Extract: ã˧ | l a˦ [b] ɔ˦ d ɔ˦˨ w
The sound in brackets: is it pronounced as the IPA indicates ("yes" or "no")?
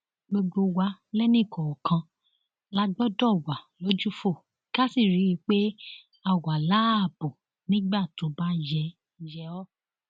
no